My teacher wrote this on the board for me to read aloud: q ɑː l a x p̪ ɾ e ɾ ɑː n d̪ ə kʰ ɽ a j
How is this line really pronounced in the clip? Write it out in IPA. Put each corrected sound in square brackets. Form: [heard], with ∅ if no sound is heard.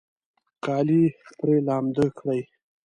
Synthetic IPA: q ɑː l [i] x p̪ ɾ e [l] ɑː [m] d̪ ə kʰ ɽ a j